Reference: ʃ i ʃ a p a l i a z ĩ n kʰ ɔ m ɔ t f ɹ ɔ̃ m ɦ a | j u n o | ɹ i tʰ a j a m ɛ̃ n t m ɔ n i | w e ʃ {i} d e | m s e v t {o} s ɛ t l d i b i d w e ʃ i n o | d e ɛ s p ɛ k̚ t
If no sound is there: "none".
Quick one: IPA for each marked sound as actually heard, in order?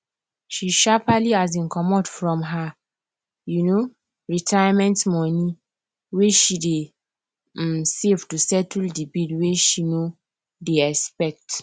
i, u

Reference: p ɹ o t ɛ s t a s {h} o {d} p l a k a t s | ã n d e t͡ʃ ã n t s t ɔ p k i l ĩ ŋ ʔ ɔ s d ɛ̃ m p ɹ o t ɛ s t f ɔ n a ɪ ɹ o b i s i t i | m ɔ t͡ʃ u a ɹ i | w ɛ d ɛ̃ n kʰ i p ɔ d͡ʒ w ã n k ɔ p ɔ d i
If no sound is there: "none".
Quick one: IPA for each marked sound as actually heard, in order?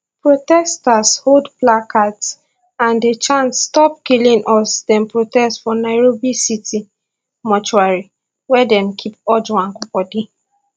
h, d

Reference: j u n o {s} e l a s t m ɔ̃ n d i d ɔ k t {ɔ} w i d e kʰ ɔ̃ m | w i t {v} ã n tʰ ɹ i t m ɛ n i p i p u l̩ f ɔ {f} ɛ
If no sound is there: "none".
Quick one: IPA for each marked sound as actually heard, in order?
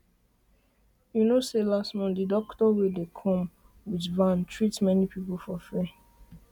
s, ɔ, v, f

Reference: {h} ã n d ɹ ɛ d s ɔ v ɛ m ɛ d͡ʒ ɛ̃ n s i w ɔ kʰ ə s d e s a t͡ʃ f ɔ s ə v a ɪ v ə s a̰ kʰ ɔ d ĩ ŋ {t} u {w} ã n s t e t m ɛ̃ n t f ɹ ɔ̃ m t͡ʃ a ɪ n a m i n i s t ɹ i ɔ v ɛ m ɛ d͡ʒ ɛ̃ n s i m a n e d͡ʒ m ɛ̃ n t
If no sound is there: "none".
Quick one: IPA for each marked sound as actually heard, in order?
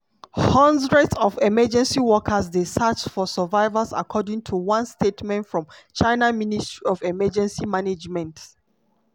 h, tʰ, w

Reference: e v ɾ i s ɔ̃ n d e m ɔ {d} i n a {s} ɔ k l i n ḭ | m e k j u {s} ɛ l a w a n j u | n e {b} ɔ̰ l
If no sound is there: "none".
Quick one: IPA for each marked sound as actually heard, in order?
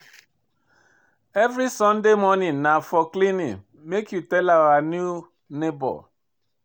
n, f, t, b

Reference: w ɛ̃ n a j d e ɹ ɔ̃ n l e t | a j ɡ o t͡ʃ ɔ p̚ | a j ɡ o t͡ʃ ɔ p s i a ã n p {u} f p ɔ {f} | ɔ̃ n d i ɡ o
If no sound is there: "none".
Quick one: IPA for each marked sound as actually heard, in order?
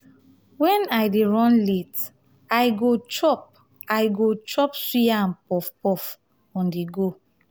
ɔ, f

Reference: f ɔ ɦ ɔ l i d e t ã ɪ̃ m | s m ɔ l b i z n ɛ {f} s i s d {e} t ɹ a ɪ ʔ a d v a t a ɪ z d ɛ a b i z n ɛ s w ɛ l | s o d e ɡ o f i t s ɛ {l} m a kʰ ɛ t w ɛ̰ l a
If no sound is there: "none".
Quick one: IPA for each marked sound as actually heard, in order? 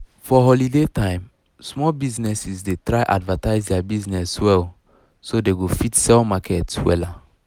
none, e, l

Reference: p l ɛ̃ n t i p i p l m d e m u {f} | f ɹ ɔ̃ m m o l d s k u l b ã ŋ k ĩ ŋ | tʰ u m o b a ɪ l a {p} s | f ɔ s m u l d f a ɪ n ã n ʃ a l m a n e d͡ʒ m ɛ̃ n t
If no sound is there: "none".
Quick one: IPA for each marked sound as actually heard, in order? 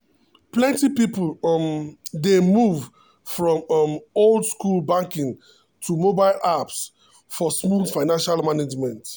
v, p

